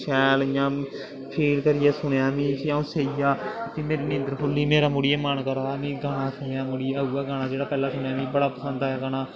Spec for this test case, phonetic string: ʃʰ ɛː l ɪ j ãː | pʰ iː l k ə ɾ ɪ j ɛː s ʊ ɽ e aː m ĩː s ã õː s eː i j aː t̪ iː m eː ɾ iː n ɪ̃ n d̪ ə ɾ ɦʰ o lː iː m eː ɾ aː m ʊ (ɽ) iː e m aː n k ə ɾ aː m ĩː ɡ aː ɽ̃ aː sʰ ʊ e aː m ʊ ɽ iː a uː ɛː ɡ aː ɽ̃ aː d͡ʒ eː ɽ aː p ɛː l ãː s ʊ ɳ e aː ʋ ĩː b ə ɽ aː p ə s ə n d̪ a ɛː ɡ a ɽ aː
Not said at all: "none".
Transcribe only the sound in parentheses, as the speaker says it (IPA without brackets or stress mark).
ɽ